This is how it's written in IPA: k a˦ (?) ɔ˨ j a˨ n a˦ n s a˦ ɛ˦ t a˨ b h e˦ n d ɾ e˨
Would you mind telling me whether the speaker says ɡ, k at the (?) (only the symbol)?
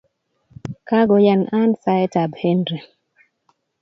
ɡ